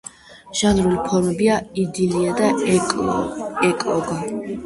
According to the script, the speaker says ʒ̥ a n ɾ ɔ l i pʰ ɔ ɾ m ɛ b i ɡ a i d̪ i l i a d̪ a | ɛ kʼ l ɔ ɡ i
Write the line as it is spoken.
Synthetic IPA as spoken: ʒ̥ a n ɾ u l i pʰ ɔ ɾ m ɛ b i a i d̪ i l i a d̪ a | ɛ kʼ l ɔ ɡ a